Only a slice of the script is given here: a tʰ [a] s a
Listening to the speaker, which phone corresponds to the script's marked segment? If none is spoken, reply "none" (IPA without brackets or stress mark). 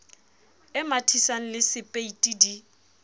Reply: i